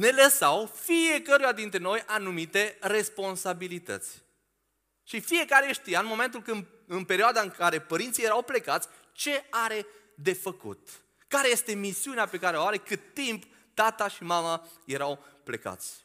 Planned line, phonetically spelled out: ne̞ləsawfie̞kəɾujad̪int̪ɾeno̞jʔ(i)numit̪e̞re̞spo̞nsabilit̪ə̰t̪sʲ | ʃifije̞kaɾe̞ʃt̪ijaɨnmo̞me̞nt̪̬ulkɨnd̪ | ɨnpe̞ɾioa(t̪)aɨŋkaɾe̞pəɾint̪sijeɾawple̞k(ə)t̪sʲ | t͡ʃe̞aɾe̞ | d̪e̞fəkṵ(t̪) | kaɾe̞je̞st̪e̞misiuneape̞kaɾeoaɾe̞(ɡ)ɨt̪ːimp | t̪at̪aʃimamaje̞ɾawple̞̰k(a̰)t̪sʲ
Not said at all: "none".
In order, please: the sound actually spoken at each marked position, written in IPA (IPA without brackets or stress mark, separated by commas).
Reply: a, d̪, a, t̪, k, a̰